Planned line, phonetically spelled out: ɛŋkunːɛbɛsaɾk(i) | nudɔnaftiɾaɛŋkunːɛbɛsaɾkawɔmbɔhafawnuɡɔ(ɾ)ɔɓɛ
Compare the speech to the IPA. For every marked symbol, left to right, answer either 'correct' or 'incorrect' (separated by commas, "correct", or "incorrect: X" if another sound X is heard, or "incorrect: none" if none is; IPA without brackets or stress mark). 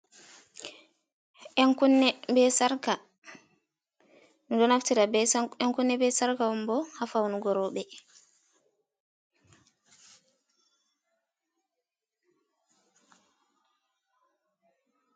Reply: incorrect: a, correct